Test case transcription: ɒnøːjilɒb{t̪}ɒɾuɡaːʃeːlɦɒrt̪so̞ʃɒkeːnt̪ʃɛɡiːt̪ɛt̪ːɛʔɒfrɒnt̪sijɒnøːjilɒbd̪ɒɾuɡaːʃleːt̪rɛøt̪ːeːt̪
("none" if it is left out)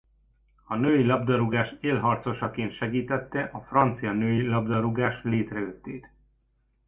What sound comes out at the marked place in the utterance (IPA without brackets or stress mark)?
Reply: d̪